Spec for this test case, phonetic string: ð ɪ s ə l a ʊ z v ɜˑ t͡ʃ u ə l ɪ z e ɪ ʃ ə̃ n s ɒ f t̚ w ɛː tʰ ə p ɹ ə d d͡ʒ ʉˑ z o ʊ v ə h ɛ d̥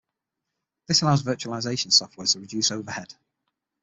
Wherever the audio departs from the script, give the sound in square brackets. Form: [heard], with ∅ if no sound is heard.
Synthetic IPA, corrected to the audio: ð ɪ s ə l a ʊ z v ɜˑ t͡ʃ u ə l ɪ z e ɪ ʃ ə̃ n s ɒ f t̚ w ɛː tʰ ə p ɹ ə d d͡ʒ ʉˑ [s] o ʊ v ə h ɛ d̥